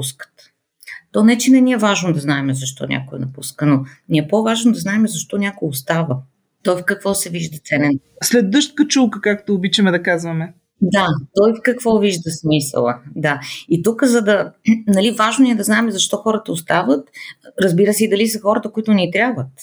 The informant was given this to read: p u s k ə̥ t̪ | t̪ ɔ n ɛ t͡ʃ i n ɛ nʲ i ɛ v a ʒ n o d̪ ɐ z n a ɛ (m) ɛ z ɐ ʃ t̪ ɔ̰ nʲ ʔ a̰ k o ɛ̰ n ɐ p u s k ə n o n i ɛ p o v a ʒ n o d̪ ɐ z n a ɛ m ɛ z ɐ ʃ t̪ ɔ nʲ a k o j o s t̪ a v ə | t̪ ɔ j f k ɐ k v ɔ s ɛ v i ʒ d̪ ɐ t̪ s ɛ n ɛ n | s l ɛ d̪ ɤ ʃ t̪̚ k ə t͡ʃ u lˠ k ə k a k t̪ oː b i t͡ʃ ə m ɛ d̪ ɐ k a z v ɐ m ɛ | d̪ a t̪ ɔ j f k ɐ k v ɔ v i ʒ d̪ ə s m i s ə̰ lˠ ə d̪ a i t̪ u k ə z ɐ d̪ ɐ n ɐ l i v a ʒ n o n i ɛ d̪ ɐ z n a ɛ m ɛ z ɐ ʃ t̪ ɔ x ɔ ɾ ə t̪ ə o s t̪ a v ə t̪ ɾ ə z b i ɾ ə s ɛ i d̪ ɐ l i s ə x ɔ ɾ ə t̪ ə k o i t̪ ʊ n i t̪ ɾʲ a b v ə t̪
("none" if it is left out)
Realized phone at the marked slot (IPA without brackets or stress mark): m